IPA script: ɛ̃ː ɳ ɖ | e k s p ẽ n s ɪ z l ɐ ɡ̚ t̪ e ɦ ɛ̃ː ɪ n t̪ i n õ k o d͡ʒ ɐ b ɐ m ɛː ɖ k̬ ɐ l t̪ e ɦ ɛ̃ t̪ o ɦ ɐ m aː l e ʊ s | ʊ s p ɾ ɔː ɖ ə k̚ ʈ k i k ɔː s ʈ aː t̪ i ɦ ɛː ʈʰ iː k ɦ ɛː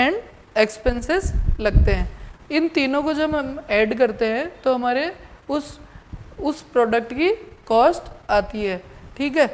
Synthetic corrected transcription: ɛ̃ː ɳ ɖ | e k s p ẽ n s ɪ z l ɐ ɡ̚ t̪ e ɦ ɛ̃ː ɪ n t̪ iː n õ k o d͡ʒ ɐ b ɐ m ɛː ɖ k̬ ɐ ɾ t̪ e ɦ ɛ̃ t̪ o ɦ ɐ m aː ɾ e ʊ s | ʊ s p ɾ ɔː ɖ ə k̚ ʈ k i k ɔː s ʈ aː t̪ i ɦ ɛː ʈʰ iː k ɦ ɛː